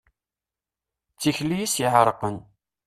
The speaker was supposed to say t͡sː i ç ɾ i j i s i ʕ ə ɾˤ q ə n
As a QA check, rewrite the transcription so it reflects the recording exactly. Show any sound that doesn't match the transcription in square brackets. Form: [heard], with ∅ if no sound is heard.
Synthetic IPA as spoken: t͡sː i ç [l] i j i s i ʕ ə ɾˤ q ə n